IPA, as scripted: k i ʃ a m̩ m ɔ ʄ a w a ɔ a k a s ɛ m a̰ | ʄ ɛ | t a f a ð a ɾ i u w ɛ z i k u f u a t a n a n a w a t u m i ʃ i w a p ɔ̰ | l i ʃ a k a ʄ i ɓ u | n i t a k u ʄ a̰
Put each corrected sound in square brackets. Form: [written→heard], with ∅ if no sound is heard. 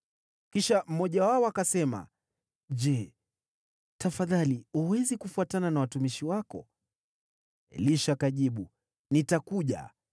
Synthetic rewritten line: k i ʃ a m̩ m ɔ ʄ a w a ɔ a k a s ɛ m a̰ | ʄ ɛ | t a f a ð a [ɾ→l] i u w ɛ z i k u f u a t a n a n a w a t u m i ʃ i w a [p→k] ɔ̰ | l i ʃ a k a ʄ i ɓ u | n i t a k u ʄ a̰